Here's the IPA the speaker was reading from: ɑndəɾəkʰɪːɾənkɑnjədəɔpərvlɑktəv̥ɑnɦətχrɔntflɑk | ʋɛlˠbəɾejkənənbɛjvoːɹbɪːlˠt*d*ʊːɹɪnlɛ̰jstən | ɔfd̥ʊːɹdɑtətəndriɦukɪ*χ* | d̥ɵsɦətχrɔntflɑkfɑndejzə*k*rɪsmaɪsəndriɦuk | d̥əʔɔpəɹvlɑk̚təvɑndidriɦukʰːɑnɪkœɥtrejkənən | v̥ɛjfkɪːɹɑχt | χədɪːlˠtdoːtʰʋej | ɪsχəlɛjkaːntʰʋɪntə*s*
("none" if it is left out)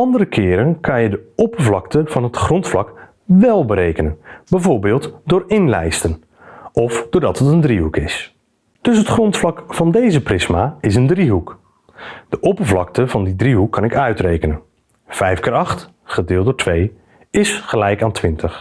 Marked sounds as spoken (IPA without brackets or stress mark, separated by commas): d, s, p, χ